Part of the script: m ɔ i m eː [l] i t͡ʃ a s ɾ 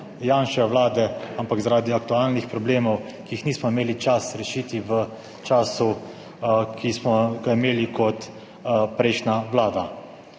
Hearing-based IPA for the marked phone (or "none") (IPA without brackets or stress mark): l